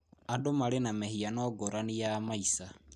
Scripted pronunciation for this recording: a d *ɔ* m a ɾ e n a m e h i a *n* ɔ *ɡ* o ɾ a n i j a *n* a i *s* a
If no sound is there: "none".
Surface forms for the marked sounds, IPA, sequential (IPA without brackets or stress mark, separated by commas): o, n, ɡ, m, s